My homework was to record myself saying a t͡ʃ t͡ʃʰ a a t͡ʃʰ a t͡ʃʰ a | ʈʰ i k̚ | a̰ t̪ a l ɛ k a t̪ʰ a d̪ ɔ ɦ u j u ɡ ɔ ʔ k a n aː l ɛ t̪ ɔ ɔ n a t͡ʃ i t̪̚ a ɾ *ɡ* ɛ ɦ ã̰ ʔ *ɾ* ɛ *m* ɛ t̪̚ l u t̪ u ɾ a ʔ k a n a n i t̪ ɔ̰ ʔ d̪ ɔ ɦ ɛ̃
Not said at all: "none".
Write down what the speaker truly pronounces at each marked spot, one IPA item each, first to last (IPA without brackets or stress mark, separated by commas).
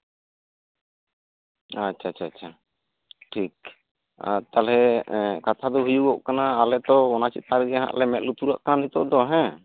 ɡ, l, m